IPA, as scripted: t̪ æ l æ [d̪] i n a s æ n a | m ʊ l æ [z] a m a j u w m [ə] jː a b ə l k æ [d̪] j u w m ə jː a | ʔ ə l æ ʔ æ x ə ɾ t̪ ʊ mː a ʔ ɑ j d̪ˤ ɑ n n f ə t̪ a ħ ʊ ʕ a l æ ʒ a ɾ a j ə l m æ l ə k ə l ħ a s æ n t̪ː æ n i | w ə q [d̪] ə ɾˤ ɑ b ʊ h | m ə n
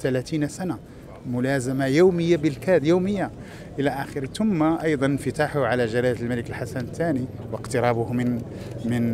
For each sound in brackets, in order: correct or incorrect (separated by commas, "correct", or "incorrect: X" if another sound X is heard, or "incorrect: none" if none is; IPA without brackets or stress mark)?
incorrect: t̪, correct, correct, correct, incorrect: t̪